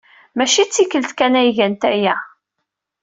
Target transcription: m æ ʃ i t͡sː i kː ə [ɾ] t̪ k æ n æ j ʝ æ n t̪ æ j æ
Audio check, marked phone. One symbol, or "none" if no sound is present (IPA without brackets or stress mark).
l